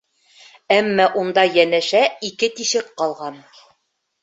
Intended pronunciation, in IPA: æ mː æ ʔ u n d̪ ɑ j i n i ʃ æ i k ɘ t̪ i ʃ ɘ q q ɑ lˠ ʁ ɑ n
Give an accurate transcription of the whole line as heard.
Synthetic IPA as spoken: æ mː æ ʔ u n d̪ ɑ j æ n æ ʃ æ i k ɘ t̪ i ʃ ɘ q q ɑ lˠ ʁ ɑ n